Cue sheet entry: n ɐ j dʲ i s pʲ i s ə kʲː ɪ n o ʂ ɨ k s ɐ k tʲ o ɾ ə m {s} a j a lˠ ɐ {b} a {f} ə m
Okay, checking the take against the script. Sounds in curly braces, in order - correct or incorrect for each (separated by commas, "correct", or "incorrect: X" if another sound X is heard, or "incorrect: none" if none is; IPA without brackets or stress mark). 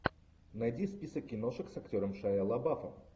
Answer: incorrect: ʂ, correct, correct